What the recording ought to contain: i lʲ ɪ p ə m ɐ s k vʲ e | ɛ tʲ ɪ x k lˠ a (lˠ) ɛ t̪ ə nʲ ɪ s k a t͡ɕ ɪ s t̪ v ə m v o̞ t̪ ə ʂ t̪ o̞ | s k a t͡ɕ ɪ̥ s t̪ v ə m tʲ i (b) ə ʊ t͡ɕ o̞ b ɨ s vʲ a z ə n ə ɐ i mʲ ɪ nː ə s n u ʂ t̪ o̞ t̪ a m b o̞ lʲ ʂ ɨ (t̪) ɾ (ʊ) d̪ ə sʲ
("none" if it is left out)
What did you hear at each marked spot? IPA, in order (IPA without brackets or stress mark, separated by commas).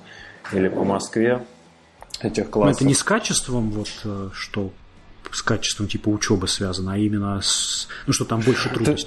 none, p, t̪, u